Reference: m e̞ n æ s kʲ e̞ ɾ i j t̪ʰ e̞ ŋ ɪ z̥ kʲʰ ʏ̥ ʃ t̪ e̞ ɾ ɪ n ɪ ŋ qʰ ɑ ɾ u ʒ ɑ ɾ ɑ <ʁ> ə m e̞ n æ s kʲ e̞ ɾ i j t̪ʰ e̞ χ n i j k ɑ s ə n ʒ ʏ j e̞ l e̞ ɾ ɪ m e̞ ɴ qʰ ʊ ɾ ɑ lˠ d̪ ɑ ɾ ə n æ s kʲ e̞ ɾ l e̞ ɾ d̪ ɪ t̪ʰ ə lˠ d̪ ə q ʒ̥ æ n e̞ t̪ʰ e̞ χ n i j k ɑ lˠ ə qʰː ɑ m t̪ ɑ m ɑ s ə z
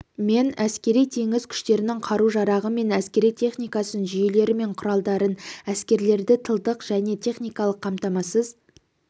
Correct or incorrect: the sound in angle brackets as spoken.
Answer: correct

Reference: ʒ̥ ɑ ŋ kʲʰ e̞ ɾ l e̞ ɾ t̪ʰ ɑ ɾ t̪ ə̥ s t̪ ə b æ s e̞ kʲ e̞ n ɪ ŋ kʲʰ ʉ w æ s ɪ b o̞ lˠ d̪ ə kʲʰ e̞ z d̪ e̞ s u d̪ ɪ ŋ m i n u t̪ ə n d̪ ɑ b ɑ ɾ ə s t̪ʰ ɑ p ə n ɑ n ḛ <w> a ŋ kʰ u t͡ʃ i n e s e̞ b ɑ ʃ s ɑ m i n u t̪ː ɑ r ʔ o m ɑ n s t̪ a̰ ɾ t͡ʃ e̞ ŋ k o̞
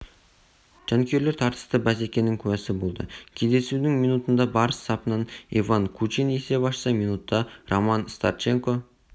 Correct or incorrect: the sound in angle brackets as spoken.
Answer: incorrect: v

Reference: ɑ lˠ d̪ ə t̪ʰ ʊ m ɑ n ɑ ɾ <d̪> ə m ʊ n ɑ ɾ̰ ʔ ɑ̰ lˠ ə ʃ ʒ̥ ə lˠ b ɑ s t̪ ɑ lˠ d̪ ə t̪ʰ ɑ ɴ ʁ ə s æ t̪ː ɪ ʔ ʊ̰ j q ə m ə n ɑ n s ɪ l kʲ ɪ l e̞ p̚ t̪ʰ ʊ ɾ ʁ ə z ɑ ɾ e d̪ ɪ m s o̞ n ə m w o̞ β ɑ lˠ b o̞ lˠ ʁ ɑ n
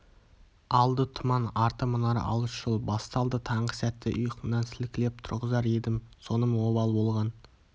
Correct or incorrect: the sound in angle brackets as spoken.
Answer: incorrect: t̪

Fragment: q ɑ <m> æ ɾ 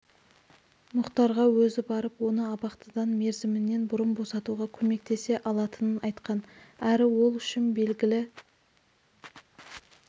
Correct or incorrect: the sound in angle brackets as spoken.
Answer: incorrect: n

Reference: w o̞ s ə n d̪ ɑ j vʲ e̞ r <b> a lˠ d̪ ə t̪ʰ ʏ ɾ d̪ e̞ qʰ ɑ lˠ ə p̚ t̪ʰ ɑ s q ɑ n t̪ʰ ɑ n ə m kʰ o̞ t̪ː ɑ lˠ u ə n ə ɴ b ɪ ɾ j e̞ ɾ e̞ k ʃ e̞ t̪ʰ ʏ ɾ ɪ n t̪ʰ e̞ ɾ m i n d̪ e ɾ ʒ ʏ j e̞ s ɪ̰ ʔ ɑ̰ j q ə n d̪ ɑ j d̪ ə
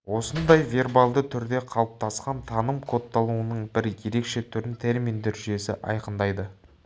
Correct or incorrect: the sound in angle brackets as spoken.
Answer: correct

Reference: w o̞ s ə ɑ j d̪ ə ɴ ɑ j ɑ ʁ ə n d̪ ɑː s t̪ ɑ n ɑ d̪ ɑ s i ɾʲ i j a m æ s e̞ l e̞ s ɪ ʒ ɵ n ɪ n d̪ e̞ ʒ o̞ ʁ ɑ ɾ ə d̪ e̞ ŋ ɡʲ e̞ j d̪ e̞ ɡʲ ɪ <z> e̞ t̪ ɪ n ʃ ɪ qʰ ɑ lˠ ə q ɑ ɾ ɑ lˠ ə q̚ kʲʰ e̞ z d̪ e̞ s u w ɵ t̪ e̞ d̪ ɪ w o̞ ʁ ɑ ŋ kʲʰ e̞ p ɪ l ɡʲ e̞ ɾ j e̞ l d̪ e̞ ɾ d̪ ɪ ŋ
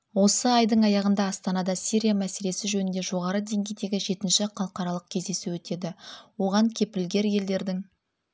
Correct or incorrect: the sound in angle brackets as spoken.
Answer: incorrect: ʒ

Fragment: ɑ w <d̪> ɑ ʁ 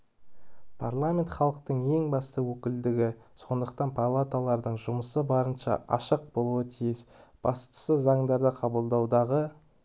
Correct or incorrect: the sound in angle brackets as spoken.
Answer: correct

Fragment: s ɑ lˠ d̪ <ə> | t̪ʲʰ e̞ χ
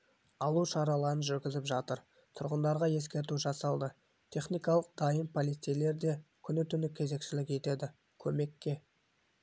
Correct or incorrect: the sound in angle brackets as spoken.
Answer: correct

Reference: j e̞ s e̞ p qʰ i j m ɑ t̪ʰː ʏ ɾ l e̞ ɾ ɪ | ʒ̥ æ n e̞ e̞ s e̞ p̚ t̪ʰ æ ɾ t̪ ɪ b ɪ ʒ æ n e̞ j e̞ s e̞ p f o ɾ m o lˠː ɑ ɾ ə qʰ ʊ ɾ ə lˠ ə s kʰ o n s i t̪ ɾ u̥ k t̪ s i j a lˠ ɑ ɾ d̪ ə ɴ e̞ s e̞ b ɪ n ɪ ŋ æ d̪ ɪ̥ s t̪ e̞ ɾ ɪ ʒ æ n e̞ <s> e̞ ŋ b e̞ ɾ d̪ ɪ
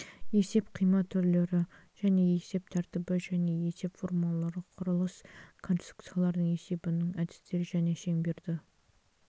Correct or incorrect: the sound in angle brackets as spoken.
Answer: incorrect: ʃ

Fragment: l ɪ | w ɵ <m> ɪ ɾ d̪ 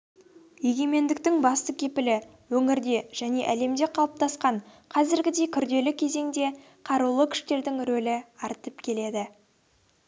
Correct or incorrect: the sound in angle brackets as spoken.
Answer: incorrect: ŋ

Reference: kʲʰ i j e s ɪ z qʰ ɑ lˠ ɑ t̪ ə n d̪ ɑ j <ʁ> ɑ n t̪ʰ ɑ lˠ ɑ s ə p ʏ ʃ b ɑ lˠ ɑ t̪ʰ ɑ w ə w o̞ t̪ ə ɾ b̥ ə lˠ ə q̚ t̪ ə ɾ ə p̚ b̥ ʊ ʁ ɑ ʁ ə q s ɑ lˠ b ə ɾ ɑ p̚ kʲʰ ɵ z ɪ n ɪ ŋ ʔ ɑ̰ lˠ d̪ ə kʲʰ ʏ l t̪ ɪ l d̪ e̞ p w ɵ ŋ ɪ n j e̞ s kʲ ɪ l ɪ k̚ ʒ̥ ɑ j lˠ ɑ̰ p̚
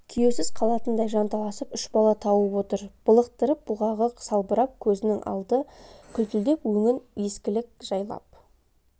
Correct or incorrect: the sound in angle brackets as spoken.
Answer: incorrect: ʒ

